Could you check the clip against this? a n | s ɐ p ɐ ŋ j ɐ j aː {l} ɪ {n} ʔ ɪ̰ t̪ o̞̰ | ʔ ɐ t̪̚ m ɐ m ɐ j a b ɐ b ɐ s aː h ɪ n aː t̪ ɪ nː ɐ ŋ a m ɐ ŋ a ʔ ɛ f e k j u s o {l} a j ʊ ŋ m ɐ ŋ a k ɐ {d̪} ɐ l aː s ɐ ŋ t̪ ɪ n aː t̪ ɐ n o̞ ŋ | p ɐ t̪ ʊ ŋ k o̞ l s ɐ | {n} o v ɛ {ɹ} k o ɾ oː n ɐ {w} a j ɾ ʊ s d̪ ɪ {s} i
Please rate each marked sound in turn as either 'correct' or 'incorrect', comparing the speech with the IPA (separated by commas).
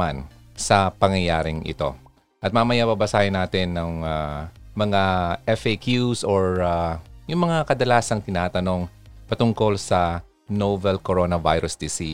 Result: incorrect, incorrect, incorrect, correct, correct, incorrect, incorrect, correct